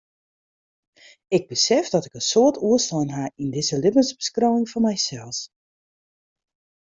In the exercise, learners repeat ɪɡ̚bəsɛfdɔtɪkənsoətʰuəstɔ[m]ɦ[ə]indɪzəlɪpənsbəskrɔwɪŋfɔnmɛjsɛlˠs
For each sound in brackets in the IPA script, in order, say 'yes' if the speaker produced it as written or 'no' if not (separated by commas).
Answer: no, no